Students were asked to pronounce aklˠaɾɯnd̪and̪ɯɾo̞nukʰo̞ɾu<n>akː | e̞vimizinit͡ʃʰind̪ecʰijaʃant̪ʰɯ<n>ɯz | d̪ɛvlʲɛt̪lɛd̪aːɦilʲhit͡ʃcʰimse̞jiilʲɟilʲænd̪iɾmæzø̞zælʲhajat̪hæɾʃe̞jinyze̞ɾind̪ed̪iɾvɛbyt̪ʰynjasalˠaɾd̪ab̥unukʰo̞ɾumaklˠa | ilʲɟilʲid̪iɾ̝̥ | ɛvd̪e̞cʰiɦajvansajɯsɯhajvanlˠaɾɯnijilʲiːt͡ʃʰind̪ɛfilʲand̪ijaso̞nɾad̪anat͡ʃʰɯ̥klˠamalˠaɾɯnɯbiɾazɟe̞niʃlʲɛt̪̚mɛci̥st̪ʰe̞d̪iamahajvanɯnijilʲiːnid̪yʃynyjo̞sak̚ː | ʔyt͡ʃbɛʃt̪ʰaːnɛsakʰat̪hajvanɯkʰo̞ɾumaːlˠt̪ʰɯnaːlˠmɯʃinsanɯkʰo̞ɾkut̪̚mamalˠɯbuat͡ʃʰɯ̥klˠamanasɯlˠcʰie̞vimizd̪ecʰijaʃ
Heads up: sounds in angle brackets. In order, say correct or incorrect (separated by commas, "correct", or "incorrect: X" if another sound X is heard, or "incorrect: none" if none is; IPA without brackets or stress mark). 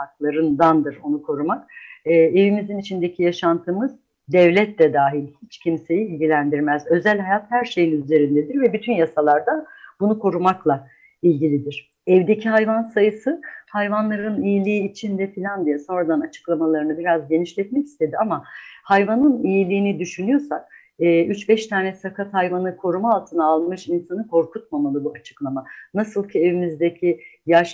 incorrect: m, incorrect: m